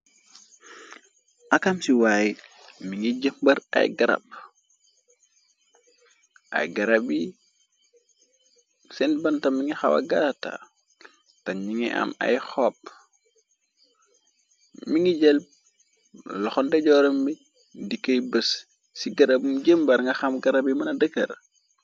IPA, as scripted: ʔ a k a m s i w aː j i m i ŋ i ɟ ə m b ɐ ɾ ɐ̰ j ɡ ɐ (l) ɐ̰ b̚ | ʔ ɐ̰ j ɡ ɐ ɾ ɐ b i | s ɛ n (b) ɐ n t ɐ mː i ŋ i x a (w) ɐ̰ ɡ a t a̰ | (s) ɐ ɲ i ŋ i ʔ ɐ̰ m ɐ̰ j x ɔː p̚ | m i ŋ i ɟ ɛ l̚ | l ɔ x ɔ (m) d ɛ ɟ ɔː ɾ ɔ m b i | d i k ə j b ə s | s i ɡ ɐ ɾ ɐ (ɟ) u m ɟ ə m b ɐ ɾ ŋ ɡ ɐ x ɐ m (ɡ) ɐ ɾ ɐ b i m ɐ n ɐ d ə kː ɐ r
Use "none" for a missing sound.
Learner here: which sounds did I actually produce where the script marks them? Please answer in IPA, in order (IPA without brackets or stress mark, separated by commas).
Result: ɾ, b, w, t, n, b, ɡ